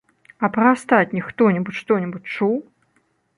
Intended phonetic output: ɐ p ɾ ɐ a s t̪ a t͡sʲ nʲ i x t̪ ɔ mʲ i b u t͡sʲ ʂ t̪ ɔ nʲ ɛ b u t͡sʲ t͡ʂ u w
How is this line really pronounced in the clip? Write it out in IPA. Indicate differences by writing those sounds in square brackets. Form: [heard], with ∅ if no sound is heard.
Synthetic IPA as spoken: ɐ p ɾ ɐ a s t̪ a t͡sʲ nʲ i x t̪ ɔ [nʲ] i b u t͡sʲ ʂ t̪ ɔ nʲ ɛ b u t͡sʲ t͡ʂ u w